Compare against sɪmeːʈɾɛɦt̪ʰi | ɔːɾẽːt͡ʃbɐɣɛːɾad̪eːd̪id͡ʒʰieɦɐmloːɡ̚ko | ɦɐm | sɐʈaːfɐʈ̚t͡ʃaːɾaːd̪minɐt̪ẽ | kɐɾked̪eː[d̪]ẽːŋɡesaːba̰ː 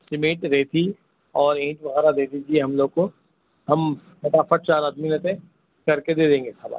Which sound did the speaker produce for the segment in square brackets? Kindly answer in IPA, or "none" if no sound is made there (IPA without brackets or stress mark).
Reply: d̪